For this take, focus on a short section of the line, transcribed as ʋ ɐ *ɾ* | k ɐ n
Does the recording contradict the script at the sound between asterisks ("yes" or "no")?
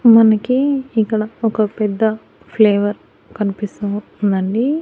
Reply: no